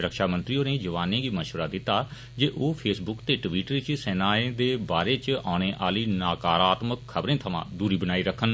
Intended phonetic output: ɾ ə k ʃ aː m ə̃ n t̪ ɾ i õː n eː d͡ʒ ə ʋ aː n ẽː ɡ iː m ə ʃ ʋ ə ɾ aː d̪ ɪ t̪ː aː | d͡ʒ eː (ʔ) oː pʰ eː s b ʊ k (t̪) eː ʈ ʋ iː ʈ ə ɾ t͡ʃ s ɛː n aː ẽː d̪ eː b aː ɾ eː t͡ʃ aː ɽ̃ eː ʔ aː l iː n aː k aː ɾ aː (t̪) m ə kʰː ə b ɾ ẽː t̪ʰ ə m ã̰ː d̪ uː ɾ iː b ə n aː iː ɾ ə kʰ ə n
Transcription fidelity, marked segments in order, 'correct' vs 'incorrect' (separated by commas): correct, correct, correct